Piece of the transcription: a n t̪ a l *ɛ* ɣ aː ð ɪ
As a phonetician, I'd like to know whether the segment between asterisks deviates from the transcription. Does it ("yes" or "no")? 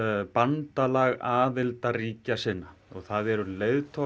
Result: yes